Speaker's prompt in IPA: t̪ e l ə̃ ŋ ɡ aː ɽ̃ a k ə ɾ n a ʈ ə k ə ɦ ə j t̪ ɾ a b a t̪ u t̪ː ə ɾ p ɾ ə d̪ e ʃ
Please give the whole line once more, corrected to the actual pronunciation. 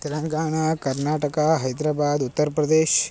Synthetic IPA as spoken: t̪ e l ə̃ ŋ ɡ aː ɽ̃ a k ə ɾ n a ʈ ə k a ɦ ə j d̪ ɾ a b a d̪ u t̪ː ə ɾ p ɾ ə d̪ e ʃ